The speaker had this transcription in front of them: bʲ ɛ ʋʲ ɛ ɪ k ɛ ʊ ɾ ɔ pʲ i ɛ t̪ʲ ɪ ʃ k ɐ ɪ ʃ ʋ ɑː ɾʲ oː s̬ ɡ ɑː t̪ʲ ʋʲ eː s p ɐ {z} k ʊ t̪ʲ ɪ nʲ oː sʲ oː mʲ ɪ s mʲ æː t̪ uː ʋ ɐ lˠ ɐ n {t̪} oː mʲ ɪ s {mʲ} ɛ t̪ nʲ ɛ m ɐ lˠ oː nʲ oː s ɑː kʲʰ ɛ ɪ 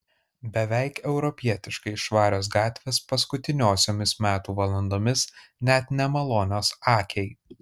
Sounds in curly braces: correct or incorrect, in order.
incorrect: s, incorrect: d̪, incorrect: nʲ

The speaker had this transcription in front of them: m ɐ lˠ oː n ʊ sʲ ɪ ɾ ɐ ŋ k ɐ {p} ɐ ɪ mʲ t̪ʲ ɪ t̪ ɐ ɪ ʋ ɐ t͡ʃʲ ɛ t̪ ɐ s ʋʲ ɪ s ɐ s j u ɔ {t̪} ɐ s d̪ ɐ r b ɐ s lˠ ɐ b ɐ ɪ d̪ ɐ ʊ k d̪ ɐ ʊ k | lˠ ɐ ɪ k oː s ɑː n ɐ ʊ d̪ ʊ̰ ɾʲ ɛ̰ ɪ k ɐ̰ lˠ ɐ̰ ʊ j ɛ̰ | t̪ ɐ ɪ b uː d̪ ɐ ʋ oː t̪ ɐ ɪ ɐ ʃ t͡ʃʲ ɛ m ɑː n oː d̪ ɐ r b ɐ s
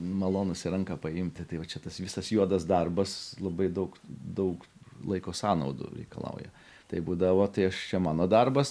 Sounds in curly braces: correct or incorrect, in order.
correct, incorrect: d̪

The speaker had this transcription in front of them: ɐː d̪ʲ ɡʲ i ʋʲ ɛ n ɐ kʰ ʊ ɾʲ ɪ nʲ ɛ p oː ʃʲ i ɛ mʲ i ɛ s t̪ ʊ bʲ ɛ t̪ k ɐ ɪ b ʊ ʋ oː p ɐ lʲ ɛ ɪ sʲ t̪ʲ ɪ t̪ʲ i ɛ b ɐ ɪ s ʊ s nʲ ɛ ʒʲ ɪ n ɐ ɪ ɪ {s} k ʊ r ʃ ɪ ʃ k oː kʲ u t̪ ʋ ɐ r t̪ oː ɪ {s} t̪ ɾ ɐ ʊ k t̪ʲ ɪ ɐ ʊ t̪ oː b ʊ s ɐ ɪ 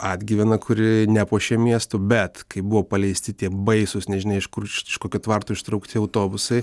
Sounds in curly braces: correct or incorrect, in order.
incorrect: ʃ, incorrect: ʃ

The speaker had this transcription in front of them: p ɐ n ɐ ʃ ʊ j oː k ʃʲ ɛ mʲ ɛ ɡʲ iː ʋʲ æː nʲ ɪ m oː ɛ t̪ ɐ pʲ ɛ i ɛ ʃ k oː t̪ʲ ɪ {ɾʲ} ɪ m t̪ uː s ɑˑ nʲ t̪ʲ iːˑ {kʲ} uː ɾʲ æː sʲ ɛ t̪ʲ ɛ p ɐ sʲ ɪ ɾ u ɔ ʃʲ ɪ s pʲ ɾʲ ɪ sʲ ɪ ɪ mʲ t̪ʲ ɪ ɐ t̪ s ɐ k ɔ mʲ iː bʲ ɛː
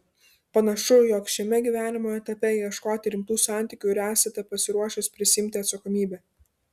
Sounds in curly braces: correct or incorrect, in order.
correct, correct

